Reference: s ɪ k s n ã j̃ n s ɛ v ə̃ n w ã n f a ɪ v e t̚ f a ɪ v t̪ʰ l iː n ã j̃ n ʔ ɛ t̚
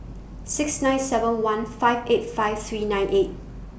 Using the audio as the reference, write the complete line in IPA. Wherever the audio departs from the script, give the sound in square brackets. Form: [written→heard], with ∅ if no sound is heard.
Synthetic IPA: s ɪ k s n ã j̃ n s ɛ v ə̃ n w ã n f a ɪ v e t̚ f a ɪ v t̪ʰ [l→ɹ] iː n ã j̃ n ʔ [ɛ→e] t̚